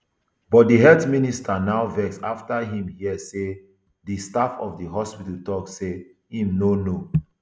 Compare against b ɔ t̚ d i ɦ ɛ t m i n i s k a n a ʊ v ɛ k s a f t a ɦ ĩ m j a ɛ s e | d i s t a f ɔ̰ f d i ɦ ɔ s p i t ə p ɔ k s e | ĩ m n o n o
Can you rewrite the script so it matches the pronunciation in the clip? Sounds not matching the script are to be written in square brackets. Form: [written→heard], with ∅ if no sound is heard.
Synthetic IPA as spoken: b ɔ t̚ d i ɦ ɛ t m i n i s [k→t] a n a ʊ v ɛ k s a f t a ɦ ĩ m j [a→i] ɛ s e | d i s t a f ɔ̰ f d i ɦ ɔ s p i t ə [p→t] ɔ k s e | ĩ m n o n o